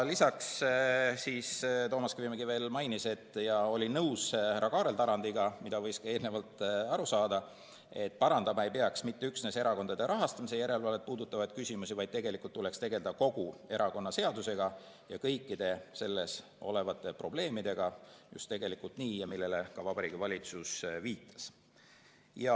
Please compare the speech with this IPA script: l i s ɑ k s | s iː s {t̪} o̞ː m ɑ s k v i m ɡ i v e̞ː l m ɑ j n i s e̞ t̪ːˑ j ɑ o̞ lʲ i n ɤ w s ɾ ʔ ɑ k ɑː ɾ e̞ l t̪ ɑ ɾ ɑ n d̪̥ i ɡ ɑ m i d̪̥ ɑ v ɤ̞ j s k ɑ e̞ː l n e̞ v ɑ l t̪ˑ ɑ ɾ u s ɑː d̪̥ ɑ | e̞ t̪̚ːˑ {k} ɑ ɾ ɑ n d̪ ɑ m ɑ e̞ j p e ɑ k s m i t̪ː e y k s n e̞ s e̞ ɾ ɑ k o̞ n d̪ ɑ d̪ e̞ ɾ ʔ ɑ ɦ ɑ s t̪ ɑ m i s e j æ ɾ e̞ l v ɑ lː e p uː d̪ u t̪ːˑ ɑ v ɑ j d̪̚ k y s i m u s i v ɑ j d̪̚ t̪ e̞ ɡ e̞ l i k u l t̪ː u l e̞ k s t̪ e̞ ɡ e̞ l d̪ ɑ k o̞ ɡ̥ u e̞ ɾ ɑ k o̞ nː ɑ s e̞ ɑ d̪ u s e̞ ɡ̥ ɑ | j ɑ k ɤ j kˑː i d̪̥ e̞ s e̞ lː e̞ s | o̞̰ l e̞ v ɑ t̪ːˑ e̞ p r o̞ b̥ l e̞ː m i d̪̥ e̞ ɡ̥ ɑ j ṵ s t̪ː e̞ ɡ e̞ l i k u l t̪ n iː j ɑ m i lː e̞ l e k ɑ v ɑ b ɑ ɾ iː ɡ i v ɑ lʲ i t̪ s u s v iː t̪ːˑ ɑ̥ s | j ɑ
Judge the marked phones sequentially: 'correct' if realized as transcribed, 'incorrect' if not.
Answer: correct, incorrect

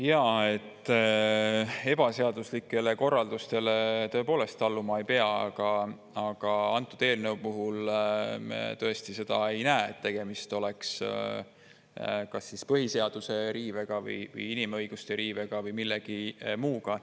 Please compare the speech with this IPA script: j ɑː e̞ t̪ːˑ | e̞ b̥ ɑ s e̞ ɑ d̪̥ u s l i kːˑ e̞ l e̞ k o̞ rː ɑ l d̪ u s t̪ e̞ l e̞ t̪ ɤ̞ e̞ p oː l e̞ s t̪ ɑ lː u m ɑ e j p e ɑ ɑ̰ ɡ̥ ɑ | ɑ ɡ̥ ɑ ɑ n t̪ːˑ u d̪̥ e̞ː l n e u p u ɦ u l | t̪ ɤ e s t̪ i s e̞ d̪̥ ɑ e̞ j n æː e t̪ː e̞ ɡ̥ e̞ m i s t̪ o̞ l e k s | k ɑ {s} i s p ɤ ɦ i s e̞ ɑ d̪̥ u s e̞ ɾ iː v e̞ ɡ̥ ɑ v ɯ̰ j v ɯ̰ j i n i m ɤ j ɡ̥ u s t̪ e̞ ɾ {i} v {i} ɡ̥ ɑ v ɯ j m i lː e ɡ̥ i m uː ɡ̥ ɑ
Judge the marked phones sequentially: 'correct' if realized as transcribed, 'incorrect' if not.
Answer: incorrect, incorrect, incorrect

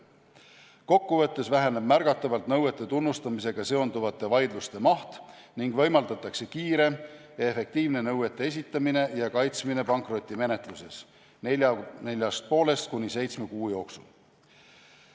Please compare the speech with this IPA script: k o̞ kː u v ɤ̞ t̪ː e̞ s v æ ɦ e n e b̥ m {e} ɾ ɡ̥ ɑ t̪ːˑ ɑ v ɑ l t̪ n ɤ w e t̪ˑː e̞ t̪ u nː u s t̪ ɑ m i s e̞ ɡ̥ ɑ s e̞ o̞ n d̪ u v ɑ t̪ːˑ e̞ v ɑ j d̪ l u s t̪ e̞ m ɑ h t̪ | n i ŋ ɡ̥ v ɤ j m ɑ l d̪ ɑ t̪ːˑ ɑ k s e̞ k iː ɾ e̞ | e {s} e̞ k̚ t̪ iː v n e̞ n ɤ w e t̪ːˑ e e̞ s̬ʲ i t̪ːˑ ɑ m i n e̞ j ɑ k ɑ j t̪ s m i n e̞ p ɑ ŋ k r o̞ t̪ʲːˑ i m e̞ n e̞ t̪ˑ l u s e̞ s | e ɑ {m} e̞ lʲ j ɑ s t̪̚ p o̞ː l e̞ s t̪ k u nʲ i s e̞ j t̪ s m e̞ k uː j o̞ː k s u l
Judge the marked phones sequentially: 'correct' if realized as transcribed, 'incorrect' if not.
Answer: incorrect, incorrect, incorrect

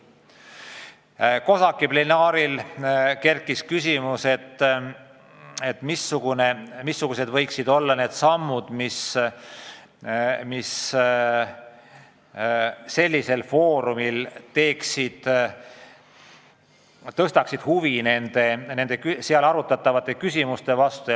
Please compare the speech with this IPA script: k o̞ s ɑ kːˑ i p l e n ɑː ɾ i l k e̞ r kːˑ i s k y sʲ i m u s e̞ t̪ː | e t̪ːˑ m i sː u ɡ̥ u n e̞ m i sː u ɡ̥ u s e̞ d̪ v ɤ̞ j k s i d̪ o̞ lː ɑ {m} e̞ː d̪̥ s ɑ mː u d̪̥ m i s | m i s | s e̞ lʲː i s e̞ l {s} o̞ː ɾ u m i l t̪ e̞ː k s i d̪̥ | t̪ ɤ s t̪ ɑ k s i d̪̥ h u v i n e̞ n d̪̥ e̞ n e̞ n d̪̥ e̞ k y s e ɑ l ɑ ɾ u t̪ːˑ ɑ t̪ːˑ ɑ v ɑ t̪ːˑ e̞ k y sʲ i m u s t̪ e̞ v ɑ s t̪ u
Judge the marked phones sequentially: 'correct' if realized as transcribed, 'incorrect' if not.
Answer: incorrect, incorrect

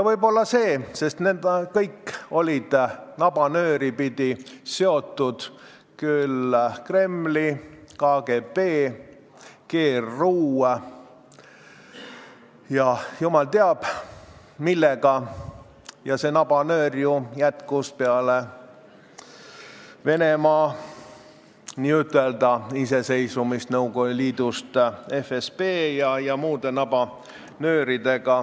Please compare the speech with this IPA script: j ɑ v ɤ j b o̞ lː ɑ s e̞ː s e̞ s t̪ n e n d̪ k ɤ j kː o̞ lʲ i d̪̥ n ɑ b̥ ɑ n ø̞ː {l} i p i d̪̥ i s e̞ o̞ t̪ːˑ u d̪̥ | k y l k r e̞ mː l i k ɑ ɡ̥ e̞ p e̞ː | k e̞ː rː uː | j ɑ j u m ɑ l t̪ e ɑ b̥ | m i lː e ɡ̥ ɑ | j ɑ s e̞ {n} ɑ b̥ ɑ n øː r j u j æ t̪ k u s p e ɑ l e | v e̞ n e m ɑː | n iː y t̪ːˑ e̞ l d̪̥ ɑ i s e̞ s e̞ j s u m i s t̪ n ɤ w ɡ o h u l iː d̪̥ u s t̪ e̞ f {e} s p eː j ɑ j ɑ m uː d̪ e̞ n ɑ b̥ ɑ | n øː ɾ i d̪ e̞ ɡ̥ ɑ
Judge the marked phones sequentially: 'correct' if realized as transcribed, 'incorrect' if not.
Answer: incorrect, correct, correct

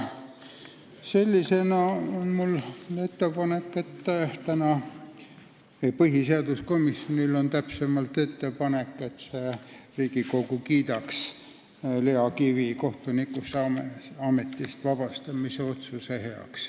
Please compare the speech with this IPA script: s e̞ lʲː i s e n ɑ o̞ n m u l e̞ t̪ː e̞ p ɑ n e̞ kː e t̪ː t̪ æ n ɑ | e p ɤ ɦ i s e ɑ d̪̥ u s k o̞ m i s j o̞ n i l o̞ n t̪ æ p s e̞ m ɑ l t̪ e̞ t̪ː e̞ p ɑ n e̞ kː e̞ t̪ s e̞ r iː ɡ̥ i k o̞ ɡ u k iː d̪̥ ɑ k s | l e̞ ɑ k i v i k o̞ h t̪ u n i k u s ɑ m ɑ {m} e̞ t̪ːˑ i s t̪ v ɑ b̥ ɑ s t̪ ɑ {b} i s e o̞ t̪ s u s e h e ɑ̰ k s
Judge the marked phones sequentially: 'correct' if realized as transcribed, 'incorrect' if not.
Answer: correct, incorrect

